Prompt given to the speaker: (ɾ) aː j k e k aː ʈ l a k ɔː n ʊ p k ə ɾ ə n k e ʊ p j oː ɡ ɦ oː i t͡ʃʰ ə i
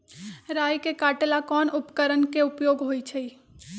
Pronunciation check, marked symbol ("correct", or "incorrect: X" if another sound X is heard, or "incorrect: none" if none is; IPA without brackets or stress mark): correct